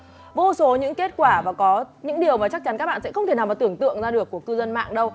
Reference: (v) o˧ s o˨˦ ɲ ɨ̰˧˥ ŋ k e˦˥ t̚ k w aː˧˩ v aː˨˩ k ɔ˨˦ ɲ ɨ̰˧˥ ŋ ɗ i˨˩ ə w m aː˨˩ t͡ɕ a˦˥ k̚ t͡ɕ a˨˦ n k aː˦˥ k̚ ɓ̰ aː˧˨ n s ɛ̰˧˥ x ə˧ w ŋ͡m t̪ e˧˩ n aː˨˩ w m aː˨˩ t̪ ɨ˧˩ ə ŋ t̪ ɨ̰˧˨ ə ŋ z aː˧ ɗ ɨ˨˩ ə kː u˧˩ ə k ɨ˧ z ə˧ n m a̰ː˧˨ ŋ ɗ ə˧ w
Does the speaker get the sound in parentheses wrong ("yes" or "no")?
no